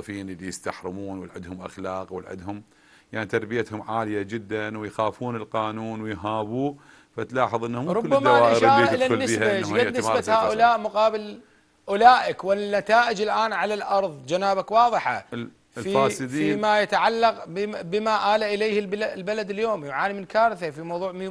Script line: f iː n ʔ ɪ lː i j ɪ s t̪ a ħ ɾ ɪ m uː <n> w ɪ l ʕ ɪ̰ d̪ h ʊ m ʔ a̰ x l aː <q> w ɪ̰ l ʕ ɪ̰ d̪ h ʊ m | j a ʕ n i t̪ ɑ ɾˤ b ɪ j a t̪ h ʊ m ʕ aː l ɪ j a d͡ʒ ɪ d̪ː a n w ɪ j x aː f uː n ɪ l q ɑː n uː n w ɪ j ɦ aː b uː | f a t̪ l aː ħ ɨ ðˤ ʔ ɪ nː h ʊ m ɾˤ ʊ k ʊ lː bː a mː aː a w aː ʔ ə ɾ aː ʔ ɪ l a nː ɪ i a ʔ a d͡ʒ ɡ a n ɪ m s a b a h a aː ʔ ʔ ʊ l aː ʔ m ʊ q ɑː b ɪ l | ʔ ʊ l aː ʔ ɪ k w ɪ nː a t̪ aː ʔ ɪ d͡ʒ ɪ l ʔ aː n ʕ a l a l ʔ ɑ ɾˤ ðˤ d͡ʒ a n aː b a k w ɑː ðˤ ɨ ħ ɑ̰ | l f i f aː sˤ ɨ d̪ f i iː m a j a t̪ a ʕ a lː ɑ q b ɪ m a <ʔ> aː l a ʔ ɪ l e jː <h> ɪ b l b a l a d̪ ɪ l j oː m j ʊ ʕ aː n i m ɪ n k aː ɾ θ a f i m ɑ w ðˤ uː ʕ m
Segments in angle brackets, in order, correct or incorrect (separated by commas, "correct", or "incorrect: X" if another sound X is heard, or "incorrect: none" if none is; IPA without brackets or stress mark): correct, correct, correct, correct